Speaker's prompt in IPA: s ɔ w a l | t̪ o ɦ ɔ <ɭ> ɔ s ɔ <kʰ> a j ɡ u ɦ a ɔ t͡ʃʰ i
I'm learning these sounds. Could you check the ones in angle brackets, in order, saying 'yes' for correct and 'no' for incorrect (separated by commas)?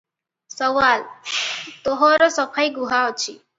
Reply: no, no